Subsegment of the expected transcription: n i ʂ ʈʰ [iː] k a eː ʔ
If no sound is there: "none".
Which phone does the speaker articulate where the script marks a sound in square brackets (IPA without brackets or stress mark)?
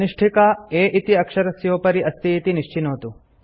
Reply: i